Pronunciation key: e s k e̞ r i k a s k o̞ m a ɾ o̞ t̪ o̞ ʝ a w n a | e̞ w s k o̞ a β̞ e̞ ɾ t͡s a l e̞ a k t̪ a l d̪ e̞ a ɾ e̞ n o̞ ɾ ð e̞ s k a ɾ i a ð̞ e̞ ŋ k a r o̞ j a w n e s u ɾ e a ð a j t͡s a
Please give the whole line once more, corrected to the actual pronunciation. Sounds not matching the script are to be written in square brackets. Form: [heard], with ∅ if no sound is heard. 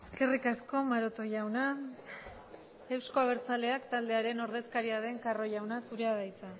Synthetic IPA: e s k e̞ r i k a s k o̞ m a ɾ o̞ t̪ o̞ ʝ a w n a | e̞ w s k o̞ a β̞ e̞ ɾ t͡s a l e̞ a k t̪ a l d̪ e̞ a ɾ e̞ n o̞ ɾ ð e̞ s k a ɾ i a ð̞ e̞ ŋ k a r o̞ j a w n [a] s u ɾ e a ð a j t͡s a